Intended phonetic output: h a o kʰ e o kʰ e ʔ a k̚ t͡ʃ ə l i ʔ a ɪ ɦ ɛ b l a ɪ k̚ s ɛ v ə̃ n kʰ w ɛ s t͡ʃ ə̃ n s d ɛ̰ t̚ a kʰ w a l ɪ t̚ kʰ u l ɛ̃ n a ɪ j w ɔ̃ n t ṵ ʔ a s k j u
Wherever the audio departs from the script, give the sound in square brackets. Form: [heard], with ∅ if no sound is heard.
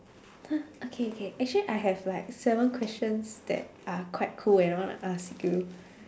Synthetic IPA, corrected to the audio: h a o kʰ e o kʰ e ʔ [ɛ] k̚ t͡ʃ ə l i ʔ a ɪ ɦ ɛ [v] l a ɪ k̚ s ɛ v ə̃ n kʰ w ɛ s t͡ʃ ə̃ n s d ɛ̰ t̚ a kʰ w a [∅] ɪ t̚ kʰ u l ɛ̃ n a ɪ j w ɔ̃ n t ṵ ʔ a s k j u

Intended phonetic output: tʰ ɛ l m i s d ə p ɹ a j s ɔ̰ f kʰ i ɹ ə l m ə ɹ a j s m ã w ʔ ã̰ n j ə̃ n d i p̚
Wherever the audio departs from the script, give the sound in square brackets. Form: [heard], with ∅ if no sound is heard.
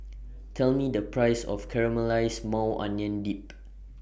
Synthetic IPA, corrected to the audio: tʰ ɛ l m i [∅] d ə p ɹ a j s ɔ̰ f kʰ [ɛ] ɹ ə [∅] m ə [l] a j s m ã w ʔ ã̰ n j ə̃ n d i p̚

